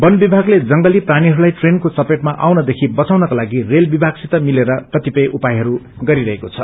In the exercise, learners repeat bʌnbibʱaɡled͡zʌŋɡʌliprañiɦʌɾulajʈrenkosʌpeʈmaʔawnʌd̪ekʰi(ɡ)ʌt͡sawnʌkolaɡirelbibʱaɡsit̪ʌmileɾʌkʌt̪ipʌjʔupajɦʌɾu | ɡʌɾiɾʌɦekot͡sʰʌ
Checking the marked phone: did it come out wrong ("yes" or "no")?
yes